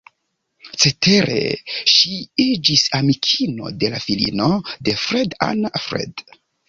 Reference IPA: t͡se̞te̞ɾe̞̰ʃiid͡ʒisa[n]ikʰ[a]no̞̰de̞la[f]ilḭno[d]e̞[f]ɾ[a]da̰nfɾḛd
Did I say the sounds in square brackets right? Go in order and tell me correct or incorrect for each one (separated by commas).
incorrect, incorrect, correct, correct, correct, incorrect